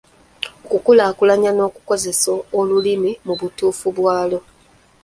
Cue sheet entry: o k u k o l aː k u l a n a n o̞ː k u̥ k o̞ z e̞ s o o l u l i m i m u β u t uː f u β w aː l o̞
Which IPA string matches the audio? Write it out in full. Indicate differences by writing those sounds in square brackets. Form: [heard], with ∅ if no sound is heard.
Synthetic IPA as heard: o k u k [u] l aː k u l a [ɲ] a n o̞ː k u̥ k o̞ z e̞ s o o l u l i m i m u β u t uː f u β w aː l o̞